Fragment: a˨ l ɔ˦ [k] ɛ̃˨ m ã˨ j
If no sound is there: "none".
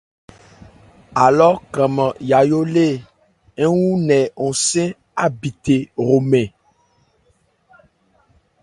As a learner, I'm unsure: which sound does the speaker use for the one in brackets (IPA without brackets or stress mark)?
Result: k